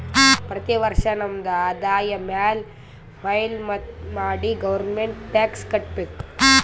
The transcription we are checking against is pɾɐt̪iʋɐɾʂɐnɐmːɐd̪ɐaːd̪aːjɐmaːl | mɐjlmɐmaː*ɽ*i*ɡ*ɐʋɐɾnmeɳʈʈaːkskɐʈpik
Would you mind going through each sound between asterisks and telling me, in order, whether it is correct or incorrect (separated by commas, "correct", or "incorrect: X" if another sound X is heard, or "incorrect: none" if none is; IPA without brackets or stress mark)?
correct, correct